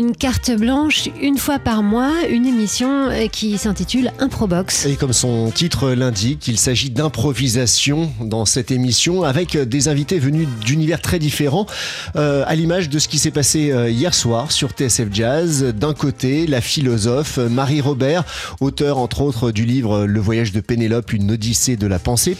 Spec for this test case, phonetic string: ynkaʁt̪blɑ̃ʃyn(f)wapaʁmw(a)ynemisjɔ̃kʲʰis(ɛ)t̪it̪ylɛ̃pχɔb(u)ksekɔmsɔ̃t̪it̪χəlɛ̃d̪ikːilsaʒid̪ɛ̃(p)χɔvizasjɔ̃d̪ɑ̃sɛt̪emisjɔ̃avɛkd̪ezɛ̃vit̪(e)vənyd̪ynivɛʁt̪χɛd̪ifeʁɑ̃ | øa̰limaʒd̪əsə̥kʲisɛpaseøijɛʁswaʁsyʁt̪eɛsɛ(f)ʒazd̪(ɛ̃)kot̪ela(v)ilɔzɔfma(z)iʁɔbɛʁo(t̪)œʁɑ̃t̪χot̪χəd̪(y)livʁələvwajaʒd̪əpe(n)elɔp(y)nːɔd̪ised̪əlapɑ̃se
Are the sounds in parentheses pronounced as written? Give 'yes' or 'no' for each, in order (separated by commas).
yes, yes, no, no, yes, yes, yes, yes, no, no, yes, yes, yes, yes